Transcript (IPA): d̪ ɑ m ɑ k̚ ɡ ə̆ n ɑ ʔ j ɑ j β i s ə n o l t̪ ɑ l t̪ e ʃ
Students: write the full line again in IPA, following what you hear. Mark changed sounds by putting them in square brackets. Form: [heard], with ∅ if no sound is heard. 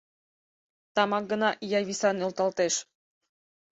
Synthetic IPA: [t̪] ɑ m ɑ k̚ ɡ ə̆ n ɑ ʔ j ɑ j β i s [ɑ] n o l t̪ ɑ l t̪ e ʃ